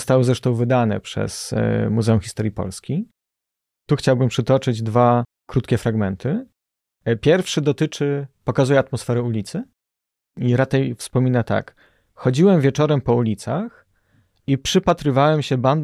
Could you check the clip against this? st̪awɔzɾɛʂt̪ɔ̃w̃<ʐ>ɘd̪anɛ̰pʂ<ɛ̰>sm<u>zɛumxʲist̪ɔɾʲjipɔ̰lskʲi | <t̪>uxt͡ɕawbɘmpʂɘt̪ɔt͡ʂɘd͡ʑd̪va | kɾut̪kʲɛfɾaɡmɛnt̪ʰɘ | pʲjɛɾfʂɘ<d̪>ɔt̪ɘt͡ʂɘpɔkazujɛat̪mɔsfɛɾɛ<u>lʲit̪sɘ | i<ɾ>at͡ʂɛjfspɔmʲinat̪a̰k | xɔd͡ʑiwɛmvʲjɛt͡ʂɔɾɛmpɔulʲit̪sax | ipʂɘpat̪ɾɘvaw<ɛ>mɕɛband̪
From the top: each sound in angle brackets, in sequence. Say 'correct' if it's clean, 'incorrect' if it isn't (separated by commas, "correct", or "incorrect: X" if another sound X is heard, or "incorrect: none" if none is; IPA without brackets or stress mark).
incorrect: v, correct, correct, correct, correct, correct, correct, correct